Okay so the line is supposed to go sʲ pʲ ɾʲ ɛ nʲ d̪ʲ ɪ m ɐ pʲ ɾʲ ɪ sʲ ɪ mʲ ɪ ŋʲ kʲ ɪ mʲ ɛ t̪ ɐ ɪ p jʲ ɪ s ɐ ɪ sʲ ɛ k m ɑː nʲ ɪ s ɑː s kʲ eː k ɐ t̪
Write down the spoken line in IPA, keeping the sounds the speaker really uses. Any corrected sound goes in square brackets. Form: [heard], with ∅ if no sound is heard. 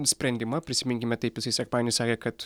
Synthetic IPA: sʲ pʲ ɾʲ ɛ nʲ d̪ʲ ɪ m ɐ pʲ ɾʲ ɪ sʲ ɪ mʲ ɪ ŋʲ kʲ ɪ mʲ ɛ t̪ ɐ ɪ p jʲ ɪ s ɐ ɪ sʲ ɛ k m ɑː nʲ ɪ s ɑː [∅] kʲ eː k ɐ t̪